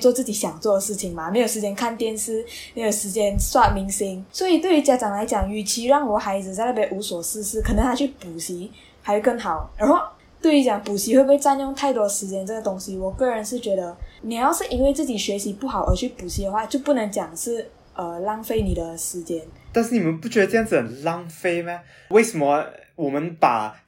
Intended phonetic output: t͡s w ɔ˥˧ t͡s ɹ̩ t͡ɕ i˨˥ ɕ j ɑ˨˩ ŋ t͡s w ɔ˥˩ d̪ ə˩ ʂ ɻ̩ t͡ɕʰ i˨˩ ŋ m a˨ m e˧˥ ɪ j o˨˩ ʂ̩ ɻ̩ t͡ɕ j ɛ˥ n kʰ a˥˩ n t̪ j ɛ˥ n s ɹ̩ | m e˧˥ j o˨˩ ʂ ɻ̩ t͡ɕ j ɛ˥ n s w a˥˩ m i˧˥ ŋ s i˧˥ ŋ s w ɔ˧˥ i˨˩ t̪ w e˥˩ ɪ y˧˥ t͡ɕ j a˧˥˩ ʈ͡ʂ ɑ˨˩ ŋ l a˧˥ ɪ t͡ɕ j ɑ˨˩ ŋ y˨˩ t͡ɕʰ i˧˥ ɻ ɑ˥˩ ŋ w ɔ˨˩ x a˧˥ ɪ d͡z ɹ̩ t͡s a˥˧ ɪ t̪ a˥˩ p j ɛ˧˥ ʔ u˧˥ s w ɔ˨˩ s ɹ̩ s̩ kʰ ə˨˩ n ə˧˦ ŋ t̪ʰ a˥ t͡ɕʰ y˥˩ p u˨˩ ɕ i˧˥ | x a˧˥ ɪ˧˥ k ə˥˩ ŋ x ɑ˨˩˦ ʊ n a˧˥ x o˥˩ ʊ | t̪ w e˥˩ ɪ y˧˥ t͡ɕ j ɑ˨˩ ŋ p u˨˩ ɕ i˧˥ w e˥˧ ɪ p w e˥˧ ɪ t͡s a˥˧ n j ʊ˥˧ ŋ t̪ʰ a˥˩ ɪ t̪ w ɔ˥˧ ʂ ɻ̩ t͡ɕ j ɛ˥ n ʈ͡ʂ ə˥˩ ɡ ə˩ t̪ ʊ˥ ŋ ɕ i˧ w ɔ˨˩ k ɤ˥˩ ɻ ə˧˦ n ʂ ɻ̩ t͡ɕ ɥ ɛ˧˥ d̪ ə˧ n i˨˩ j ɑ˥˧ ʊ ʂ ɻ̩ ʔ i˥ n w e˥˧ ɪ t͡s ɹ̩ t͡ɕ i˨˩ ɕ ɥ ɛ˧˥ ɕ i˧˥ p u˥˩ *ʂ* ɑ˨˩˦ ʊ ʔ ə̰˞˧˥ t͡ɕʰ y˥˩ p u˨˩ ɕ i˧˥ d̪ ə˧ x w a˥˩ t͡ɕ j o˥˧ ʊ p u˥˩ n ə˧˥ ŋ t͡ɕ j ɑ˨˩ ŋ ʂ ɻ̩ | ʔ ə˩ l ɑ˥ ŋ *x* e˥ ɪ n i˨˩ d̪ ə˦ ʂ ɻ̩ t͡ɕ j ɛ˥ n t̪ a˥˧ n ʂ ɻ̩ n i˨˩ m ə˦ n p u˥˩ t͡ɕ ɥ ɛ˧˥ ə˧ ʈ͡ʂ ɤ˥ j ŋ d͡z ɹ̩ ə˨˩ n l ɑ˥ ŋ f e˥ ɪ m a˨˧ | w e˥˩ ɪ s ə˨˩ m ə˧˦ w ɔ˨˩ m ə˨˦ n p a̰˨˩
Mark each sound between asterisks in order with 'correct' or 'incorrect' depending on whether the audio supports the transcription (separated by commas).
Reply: incorrect, incorrect